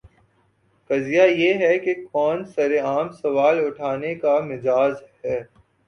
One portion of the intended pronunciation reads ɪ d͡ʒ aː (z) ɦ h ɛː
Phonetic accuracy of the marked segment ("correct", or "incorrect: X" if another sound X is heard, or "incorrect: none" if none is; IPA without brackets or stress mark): correct